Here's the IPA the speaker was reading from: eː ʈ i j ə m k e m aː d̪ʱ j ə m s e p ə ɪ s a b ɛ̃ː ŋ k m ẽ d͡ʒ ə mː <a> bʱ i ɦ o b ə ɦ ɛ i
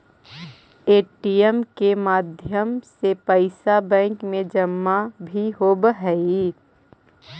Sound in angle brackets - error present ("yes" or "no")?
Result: no